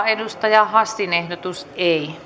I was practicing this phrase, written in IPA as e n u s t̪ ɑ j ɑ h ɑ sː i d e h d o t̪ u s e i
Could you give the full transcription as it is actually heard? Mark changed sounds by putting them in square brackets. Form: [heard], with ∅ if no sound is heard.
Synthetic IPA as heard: e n u s t̪ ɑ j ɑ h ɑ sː i [n] e h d o t̪ u s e i